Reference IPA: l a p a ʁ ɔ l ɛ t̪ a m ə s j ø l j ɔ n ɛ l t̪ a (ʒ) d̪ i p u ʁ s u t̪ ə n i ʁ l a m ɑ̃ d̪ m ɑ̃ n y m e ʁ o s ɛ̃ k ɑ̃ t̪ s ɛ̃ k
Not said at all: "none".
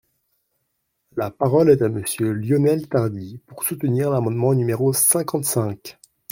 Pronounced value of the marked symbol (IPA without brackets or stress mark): ʁ